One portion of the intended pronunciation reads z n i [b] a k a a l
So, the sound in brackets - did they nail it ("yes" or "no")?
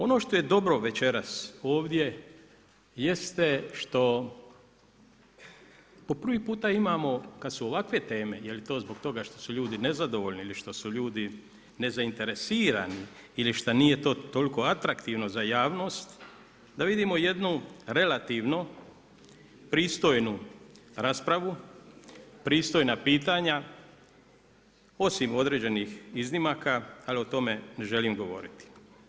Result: no